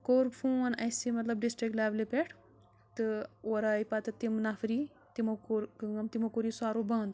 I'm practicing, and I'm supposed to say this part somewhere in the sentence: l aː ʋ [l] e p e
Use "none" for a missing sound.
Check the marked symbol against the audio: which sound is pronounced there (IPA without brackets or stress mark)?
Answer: l